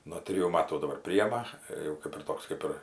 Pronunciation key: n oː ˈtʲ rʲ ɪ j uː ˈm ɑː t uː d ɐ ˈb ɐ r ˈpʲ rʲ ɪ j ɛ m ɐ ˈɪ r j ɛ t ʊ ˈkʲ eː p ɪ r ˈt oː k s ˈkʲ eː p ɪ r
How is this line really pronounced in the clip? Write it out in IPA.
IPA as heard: n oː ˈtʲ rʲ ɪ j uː ˈm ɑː t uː d ɐ ˈb ɐ r ˈpʲ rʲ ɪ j ɛ m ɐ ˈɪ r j ɛ ʊ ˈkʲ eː p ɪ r ˈt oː k s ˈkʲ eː p ɪ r